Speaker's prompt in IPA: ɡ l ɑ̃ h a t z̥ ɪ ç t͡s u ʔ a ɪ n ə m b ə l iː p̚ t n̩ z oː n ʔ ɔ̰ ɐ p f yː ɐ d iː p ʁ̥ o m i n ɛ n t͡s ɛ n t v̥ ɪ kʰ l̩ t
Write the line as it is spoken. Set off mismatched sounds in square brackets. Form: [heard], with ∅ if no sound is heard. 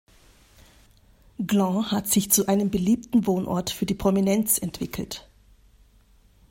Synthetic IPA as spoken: ɡ l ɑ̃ h a t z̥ ɪ ç t͡s u ʔ a ɪ n ə m b ə l iː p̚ t n̩ [v] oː n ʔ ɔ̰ ɐ [t] f yː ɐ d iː p ʁ̥ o m i n ɛ n t͡s ɛ n t v̥ ɪ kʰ l̩ t